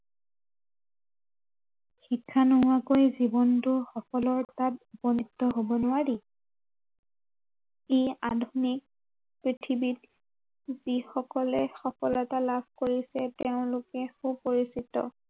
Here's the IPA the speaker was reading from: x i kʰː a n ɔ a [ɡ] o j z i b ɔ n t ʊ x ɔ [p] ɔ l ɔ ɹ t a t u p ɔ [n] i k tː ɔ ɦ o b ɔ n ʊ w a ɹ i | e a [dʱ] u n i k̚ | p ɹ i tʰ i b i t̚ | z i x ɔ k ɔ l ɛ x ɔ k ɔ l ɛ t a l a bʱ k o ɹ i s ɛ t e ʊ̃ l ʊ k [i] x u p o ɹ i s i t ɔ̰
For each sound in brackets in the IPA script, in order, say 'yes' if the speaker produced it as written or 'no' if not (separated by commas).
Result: no, no, yes, yes, no